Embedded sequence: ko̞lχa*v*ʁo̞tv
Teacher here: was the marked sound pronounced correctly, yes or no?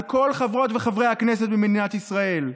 yes